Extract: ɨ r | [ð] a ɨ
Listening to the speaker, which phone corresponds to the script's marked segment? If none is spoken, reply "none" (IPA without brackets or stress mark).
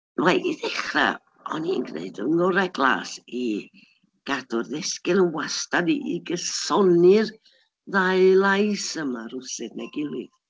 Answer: ð